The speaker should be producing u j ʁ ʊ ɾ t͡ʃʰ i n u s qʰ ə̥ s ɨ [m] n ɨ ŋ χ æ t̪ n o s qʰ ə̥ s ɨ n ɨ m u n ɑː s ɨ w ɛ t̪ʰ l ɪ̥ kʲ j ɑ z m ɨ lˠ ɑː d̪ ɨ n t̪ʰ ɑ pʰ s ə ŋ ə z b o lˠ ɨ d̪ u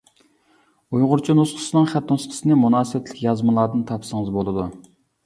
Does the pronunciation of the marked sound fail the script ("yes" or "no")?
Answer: yes